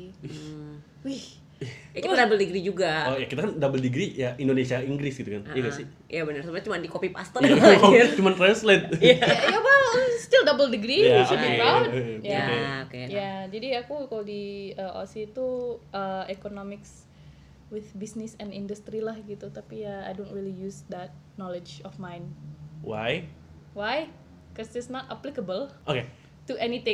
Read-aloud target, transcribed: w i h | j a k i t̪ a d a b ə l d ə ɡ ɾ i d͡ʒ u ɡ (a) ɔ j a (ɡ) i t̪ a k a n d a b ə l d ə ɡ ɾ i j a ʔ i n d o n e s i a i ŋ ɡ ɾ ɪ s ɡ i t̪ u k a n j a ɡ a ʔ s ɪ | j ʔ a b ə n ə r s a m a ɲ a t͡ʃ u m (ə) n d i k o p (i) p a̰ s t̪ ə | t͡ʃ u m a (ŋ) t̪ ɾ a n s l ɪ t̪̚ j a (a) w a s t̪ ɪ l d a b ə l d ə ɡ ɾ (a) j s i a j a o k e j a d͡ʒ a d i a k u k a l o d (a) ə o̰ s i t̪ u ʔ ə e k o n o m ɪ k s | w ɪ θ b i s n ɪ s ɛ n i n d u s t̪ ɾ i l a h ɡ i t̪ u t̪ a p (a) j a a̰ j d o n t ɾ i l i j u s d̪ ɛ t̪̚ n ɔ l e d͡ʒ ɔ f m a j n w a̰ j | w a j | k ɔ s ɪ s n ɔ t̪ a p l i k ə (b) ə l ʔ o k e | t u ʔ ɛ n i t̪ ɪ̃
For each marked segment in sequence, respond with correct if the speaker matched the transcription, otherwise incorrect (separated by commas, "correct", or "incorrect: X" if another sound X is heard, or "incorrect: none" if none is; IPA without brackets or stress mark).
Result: correct, incorrect: k, incorrect: a, correct, incorrect: n, correct, incorrect: i, incorrect: i, incorrect: i, correct